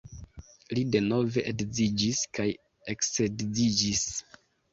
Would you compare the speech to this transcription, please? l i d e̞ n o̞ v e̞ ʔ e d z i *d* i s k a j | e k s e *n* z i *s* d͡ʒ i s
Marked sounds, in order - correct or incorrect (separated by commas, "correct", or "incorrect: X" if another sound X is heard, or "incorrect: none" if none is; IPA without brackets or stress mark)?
incorrect: d͡ʒ, incorrect: d, incorrect: none